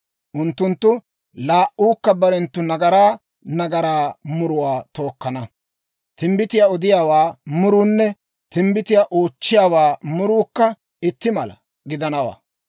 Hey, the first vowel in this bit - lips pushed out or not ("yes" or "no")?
yes